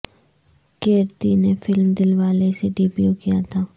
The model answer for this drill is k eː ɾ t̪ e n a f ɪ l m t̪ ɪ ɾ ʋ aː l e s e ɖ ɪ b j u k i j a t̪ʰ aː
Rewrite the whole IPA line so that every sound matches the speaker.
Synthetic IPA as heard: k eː ɾ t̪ i n e f ɪ l m d̪ ɪ l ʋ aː l e s e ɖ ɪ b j u k i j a t̪ʰ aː